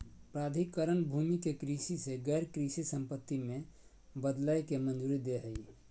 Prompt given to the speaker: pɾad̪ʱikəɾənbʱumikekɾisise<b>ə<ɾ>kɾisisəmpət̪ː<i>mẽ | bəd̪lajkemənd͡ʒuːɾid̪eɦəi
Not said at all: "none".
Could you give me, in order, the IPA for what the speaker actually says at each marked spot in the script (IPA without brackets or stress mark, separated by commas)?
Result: ɡ, ɾ, i